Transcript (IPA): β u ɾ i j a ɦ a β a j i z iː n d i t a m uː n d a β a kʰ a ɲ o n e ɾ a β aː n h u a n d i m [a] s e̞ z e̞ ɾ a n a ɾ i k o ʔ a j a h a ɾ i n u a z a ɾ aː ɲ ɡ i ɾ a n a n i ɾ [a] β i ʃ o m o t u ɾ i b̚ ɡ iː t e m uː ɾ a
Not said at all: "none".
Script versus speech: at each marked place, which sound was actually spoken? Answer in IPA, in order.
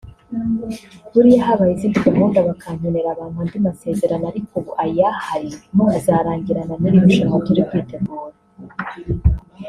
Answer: a, i

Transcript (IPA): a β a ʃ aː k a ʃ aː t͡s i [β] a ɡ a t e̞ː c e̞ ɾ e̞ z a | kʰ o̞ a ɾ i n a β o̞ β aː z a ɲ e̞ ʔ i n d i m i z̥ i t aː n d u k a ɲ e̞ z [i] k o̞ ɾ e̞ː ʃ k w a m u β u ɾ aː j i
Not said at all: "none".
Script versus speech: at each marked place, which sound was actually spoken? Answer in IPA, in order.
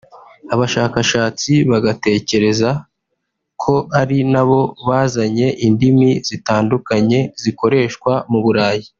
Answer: β, i

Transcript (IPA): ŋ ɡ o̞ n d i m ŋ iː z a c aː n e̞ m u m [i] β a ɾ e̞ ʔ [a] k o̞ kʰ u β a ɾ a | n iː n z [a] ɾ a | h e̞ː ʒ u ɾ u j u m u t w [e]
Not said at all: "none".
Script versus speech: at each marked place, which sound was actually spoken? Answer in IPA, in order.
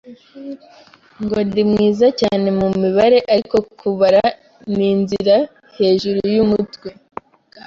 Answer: i, a, i, e

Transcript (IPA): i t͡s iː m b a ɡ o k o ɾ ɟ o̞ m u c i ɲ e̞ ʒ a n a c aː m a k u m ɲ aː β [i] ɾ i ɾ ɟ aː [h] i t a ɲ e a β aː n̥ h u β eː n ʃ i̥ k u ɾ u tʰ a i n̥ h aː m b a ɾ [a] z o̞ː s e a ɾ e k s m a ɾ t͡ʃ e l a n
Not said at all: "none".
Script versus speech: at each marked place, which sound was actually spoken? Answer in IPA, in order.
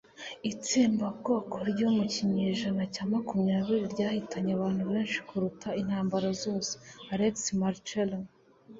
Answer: i, h, a

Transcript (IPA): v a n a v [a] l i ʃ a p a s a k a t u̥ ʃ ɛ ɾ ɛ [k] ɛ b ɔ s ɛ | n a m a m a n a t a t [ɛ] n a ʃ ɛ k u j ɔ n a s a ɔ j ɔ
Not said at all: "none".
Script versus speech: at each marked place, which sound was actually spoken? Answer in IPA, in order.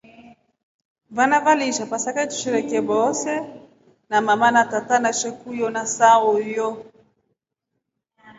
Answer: a, k, a

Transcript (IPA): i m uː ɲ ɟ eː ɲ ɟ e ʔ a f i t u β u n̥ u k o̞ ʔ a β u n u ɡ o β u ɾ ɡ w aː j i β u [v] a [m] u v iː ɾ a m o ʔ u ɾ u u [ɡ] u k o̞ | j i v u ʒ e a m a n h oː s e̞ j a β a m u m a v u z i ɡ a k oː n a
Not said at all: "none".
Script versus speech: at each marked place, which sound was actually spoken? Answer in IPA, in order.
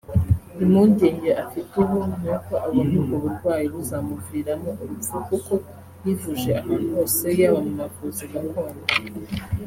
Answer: z, m, k

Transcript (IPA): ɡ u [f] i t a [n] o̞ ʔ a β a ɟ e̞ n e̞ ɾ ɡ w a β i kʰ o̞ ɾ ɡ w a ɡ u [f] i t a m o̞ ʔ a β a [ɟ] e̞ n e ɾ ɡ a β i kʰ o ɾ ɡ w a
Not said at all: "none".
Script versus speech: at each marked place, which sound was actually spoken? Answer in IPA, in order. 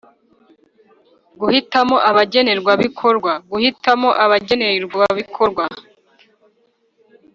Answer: h, m, h, ɟ

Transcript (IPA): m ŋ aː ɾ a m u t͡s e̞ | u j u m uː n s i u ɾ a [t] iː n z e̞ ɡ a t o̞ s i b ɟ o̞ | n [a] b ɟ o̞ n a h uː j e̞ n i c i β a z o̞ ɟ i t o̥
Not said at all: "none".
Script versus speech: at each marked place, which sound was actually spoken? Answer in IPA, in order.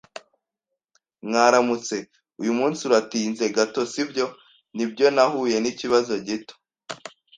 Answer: t, i

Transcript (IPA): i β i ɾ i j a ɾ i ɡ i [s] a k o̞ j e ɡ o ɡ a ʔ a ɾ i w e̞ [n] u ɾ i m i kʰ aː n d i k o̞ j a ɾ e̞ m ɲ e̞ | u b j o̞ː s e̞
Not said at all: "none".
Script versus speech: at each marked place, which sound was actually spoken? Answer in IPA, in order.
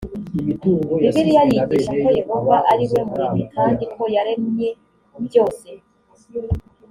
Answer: ʃ, m

